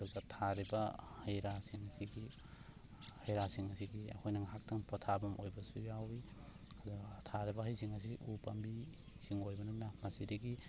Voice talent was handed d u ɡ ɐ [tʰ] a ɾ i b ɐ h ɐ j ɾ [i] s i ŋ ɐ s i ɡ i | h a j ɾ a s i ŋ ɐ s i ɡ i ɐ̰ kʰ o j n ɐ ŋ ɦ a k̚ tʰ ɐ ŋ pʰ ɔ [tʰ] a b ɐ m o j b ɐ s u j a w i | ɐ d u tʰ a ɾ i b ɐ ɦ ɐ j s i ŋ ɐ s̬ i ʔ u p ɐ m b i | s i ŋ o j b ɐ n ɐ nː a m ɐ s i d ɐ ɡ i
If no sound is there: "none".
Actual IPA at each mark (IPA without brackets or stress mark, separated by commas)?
tʰ, a, tʰ